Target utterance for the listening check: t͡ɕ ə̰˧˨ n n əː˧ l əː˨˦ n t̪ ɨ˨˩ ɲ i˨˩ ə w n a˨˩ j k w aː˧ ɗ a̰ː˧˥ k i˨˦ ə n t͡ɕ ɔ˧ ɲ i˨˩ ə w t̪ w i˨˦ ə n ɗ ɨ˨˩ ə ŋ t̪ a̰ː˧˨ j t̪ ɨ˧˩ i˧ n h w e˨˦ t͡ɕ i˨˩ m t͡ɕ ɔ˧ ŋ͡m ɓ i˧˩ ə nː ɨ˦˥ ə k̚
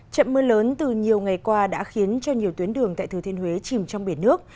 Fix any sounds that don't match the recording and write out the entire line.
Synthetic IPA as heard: t͡ɕ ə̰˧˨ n m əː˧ l əː˨˦ n t̪ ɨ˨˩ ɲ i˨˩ ə w ŋ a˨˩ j k w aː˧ ɗ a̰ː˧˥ x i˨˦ ə n t͡ɕ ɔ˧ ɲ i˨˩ ə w t̪ w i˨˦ ə n ɗ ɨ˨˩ ə ŋ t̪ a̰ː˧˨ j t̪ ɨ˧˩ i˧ n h w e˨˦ t͡ɕ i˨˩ m t͡ɕ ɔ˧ ŋ͡m ɓ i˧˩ ə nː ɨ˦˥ ə k̚